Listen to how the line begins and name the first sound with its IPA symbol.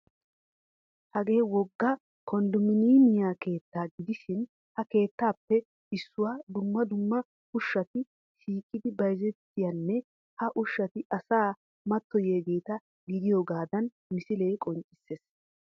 h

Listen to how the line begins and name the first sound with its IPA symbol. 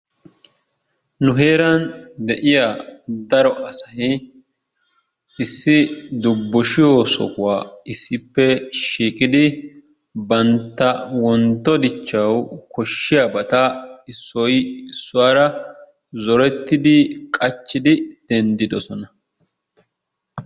n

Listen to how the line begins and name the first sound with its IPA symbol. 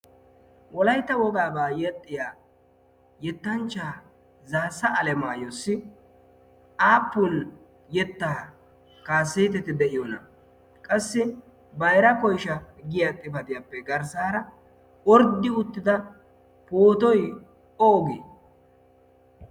w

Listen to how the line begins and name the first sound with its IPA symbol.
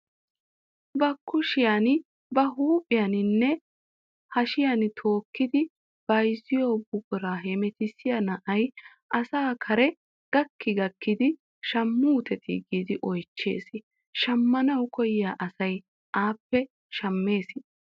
b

